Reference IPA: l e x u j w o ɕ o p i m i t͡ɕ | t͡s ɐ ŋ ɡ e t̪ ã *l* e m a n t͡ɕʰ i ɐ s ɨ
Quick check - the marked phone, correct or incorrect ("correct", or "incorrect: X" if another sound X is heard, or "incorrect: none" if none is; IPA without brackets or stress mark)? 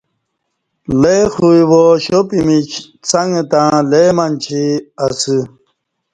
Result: correct